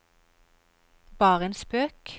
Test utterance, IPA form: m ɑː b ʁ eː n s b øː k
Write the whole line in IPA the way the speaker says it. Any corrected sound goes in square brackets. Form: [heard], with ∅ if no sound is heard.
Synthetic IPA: [b] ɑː [∅] ʁ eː n s [p] øː k